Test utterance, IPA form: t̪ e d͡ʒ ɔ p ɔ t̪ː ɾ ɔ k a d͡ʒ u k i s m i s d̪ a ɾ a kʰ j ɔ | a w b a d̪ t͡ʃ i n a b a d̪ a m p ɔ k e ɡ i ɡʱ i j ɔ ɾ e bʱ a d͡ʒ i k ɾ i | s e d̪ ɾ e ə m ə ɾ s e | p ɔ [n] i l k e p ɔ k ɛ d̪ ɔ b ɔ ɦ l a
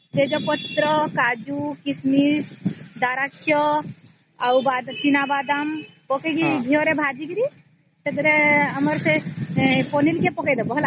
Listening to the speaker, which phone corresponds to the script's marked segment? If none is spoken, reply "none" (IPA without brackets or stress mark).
n